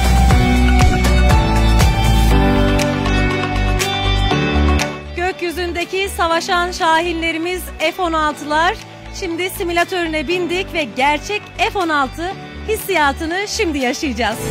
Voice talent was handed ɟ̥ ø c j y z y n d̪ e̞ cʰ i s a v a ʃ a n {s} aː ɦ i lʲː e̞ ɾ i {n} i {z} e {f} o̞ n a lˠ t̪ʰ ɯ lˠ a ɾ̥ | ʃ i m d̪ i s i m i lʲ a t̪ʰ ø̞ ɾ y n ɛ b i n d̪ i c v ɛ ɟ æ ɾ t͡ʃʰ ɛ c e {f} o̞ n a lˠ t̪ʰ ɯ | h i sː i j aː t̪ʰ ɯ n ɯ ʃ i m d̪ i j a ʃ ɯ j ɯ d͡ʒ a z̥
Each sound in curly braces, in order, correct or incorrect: incorrect, incorrect, correct, correct, correct

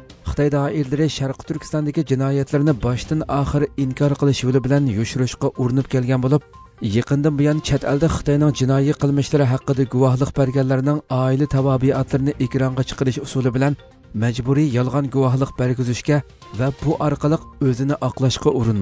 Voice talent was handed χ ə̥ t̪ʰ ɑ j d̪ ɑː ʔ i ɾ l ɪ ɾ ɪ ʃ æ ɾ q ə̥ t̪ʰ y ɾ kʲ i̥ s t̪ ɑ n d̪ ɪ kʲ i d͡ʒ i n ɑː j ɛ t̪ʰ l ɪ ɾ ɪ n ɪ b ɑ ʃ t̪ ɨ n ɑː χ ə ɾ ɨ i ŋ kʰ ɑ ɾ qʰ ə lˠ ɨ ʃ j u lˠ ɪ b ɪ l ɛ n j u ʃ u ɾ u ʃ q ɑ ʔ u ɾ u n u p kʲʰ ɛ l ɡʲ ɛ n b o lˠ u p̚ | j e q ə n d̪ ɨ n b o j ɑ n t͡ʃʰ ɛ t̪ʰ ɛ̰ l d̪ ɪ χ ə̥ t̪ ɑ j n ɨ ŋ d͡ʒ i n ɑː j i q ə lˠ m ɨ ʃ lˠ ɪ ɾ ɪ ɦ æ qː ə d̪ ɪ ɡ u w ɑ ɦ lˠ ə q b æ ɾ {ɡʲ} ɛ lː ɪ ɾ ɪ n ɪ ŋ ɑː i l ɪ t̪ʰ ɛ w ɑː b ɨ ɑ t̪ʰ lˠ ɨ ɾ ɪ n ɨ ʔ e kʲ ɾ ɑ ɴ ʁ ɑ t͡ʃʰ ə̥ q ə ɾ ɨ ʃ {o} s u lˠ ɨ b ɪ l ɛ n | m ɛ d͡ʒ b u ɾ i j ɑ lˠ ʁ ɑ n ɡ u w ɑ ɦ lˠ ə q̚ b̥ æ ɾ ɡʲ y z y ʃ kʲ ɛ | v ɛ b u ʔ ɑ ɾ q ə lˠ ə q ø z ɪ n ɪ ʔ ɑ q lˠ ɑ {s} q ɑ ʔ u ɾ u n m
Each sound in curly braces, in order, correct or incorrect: correct, incorrect, incorrect

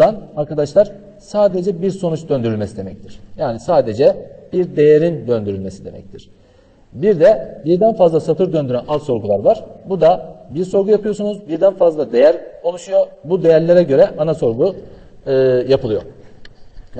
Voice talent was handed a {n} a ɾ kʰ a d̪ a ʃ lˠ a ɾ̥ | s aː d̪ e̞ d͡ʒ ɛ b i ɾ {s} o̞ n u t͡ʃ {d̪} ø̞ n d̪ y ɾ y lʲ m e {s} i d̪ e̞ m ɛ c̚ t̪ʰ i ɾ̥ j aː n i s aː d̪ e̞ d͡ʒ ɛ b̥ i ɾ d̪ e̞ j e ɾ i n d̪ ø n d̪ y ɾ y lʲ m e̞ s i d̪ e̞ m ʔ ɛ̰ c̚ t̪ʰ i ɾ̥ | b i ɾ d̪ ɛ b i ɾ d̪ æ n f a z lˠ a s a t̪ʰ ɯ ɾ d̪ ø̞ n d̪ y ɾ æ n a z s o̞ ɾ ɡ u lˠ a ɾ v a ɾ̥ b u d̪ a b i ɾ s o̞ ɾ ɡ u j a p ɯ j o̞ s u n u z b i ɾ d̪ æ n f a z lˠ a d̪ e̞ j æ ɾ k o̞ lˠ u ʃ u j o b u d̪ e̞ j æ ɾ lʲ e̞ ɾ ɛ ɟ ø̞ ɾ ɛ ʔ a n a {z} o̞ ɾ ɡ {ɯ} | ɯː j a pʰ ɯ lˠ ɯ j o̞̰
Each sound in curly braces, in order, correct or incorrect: correct, correct, correct, correct, incorrect, incorrect

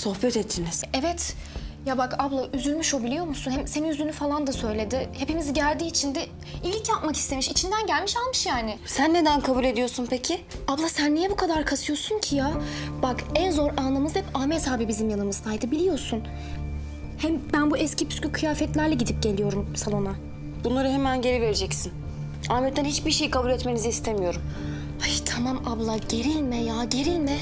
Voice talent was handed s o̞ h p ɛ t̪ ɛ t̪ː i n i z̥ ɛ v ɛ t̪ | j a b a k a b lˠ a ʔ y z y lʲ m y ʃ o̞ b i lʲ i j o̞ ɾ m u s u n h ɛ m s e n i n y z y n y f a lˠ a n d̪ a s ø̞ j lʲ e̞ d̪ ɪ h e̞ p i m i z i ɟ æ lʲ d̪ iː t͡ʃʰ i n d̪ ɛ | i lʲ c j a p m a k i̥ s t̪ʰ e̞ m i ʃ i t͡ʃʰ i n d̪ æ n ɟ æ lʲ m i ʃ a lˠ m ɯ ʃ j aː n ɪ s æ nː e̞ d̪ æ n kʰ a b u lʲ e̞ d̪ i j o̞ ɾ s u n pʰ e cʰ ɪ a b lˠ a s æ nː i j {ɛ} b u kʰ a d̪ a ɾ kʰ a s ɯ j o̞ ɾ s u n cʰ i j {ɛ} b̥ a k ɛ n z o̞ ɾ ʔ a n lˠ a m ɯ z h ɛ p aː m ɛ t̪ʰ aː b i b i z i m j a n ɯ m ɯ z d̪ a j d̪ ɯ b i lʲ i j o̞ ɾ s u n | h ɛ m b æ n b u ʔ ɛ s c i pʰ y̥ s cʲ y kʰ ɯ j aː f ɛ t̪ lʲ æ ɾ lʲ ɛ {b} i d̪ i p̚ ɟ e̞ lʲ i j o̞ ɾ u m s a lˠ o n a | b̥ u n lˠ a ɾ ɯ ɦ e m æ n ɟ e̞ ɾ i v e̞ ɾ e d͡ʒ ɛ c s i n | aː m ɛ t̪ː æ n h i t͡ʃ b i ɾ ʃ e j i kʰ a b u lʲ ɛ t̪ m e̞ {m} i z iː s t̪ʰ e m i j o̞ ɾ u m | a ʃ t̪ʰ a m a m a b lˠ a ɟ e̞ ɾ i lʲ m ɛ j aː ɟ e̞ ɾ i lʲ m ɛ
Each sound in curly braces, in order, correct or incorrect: correct, incorrect, incorrect, incorrect

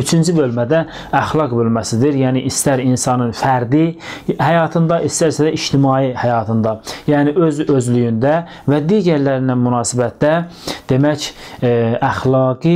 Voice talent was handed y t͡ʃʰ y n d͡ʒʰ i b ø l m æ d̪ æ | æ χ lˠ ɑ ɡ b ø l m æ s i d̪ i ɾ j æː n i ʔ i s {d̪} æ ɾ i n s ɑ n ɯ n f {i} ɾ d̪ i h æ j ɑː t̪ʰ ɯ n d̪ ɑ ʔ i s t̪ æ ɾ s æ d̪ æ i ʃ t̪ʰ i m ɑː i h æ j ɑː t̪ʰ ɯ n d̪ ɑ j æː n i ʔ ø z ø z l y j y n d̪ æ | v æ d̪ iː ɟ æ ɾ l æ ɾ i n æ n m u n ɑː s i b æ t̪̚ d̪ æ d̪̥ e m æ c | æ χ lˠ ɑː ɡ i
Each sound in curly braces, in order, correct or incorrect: incorrect, incorrect

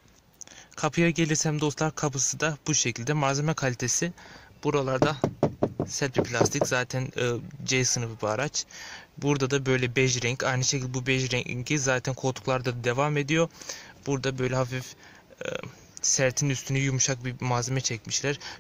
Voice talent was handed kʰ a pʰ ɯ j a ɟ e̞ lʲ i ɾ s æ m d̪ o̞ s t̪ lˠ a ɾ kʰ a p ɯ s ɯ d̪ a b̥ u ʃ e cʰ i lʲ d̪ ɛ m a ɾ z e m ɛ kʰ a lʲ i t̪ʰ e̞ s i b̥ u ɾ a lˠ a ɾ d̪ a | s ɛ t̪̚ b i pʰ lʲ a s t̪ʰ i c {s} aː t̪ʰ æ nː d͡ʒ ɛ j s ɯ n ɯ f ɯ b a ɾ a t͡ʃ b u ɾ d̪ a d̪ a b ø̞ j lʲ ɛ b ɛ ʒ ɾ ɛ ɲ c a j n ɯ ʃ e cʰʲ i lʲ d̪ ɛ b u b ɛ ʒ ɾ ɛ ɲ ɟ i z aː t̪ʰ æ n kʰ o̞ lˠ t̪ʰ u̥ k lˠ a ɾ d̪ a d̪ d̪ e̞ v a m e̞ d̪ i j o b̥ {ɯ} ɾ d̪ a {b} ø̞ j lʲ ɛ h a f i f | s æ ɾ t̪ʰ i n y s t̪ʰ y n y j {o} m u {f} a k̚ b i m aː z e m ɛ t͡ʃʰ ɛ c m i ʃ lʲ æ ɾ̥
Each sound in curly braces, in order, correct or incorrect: incorrect, incorrect, correct, incorrect, incorrect

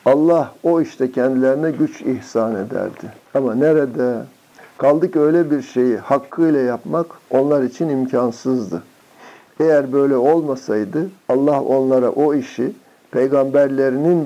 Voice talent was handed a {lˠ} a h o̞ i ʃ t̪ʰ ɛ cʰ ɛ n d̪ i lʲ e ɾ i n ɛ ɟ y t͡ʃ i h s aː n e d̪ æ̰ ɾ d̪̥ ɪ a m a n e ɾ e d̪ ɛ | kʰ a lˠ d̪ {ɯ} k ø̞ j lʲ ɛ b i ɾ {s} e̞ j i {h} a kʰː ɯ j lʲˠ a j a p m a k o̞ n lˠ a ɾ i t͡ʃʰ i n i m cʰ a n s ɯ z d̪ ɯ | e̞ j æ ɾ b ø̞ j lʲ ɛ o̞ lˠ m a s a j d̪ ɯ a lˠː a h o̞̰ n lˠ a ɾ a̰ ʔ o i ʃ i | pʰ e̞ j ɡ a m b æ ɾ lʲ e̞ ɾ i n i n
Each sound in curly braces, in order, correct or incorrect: incorrect, correct, incorrect, correct

